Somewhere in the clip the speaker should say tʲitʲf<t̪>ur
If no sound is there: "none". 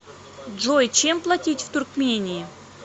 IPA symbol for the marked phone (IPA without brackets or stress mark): t̪